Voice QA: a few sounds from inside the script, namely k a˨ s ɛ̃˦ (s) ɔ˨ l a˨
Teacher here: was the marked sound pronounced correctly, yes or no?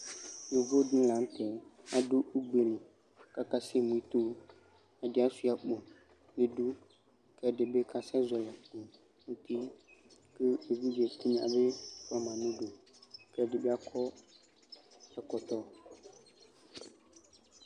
no